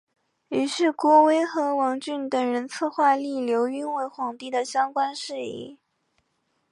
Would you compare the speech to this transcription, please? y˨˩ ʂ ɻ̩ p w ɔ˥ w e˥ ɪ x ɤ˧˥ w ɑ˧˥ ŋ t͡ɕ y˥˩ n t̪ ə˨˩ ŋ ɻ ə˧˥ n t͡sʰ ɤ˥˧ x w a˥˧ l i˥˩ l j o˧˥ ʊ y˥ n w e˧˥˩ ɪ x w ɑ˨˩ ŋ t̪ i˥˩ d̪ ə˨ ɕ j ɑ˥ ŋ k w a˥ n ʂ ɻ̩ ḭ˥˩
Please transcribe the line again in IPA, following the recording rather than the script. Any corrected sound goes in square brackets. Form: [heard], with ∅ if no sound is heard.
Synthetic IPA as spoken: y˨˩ ʂ ɻ̩ [k] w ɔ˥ w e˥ ɪ x ɤ˧˥ w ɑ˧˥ ŋ t͡ɕ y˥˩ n t̪ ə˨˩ ŋ ɻ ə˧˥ n t͡sʰ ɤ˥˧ x w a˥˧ l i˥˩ l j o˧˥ ʊ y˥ n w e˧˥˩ ɪ x w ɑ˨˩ ŋ t̪ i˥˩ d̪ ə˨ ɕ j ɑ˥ ŋ k w a˥ n ʂ ɻ̩ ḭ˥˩

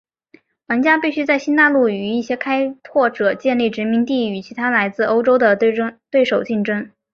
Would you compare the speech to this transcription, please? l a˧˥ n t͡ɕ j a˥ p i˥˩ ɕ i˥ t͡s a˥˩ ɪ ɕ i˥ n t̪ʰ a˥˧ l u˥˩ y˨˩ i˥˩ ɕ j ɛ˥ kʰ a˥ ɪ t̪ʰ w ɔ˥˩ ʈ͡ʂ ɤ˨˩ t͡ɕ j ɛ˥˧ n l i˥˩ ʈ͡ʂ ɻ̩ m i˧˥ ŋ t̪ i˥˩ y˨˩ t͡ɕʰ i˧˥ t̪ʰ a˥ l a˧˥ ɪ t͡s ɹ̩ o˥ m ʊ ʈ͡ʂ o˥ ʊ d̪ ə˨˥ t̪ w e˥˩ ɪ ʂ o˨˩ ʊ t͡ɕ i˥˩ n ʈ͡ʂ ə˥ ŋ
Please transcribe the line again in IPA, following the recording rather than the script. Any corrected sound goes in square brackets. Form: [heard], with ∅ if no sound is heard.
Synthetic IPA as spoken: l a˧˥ n t͡ɕ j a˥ p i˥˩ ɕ [y˥] t͡s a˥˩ ɪ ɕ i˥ n [t̪] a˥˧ l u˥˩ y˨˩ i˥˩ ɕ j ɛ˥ kʰ a˥ ɪ t̪ʰ w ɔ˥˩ ʈ͡ʂ ɤ˨˩ t͡ɕ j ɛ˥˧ n l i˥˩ ʈ͡ʂ ɻ̩ m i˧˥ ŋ t̪ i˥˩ y˨˩ t͡ɕʰ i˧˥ t̪ʰ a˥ l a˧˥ ɪ t͡s ɹ̩ o˥ [∅] ʊ ʈ͡ʂ o˥ ʊ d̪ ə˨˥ t̪ w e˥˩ ɪ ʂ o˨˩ ʊ t͡ɕ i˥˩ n ʈ͡ʂ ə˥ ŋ

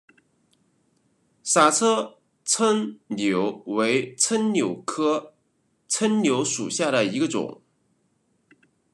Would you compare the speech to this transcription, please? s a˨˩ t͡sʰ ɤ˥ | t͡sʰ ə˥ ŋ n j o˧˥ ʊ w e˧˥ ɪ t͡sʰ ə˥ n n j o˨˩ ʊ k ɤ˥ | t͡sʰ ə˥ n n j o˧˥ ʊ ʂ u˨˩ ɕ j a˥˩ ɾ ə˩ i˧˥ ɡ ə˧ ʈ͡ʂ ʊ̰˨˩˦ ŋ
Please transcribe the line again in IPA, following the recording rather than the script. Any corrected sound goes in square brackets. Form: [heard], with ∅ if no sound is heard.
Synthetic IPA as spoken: s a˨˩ t͡sʰ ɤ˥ | t͡sʰ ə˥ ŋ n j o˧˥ ʊ w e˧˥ ɪ t͡sʰ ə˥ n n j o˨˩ ʊ [kʰ] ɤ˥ | t͡sʰ ə˥ n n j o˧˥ ʊ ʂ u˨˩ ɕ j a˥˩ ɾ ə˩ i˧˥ ɡ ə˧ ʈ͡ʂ ʊ̰˨˩˦ ŋ

